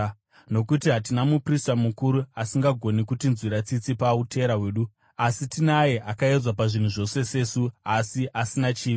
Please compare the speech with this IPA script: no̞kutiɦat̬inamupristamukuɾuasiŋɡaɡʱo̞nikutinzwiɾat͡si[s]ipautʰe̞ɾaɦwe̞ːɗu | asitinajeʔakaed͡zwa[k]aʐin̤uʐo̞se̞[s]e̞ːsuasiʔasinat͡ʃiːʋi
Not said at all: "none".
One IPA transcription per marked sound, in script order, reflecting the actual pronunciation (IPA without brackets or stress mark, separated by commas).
t͡s, p, s